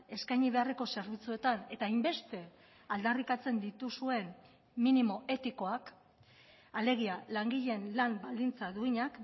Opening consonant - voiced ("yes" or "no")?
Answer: no